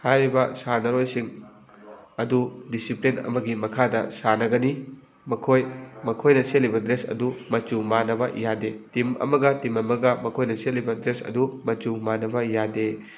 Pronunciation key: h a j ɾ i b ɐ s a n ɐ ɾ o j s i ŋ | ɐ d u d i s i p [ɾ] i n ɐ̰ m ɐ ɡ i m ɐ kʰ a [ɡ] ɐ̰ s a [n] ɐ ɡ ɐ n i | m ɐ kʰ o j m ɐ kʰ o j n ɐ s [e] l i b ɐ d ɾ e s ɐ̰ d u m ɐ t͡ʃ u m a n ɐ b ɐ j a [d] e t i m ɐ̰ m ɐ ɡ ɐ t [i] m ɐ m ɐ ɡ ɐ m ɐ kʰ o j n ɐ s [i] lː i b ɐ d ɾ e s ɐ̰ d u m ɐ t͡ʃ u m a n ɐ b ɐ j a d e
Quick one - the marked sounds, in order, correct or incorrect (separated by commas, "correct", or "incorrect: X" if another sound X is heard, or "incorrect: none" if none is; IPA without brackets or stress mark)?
incorrect: l, incorrect: d, correct, correct, correct, correct, incorrect: e